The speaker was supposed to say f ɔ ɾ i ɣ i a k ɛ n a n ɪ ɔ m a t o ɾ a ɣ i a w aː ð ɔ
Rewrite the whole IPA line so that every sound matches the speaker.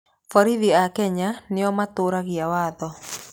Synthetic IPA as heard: f ɔ ɾ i ð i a k ɛ ɲ a n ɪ ɔ m a t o ɾ a ɣ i a w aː ð ɔ